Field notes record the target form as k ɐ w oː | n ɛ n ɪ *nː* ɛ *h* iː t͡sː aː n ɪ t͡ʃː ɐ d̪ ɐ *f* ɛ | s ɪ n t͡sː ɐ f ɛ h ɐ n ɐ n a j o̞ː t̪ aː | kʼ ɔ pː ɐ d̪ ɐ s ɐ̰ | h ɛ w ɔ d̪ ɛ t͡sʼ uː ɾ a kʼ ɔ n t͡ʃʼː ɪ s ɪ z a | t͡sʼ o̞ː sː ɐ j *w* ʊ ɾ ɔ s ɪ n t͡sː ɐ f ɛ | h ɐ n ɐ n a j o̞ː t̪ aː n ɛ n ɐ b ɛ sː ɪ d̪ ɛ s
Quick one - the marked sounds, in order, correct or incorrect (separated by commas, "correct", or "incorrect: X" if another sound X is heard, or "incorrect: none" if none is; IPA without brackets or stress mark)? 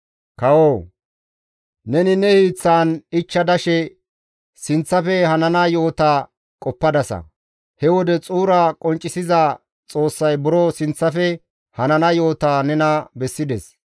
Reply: incorrect: n, correct, incorrect: ʃ, incorrect: b